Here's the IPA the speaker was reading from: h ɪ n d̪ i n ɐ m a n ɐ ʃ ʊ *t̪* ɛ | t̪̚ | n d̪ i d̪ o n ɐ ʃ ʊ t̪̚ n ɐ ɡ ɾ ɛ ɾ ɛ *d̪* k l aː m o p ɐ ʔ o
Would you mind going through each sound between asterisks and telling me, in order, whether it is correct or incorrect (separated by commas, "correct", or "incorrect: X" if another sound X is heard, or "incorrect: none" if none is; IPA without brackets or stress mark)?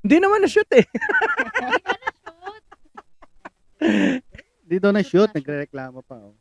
correct, incorrect: none